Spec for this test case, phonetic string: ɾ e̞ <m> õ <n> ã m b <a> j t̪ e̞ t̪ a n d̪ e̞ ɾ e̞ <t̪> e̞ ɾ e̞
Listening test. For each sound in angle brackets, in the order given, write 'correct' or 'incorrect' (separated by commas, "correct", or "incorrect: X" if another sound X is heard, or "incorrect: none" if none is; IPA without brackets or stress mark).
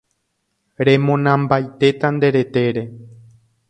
correct, correct, correct, correct